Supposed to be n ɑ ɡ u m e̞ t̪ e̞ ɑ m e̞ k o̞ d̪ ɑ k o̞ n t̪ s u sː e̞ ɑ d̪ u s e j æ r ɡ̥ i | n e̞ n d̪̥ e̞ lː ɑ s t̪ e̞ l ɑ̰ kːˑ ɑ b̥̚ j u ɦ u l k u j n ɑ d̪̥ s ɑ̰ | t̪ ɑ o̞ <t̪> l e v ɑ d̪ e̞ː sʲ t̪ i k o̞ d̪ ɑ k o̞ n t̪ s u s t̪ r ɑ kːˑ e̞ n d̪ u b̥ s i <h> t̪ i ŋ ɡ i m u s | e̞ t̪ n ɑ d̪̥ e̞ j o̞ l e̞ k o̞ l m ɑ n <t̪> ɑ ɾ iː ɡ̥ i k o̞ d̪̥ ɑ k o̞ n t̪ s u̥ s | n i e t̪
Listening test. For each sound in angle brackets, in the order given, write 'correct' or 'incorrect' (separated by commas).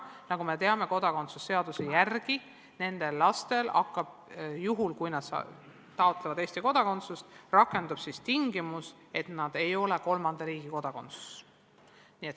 correct, incorrect, incorrect